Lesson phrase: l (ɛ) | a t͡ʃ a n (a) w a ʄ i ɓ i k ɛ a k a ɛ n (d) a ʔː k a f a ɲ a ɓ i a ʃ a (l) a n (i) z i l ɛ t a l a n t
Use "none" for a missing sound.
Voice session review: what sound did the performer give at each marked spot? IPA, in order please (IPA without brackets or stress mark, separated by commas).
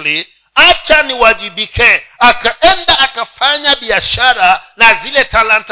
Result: i, i, d, ɾ, a